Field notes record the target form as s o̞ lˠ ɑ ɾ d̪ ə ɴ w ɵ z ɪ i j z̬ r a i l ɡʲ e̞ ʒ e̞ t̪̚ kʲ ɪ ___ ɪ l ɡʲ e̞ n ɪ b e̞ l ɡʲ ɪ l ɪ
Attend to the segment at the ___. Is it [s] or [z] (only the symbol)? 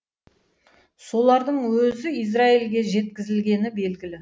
z